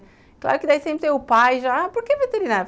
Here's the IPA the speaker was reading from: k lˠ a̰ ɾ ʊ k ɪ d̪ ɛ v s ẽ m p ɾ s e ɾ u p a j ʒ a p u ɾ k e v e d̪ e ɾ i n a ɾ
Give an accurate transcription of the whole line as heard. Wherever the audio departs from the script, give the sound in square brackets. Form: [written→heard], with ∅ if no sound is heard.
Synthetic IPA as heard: k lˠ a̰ ɾ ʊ k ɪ d̪ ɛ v s ẽ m p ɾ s e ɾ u p a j ʒ a p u ɾ k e v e [d̪→t̪] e ɾ i n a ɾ